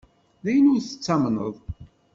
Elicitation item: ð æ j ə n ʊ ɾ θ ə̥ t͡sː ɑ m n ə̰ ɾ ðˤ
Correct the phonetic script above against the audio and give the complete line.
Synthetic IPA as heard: ð æ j ə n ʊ ɾ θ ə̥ t͡sː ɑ m n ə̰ ðˤ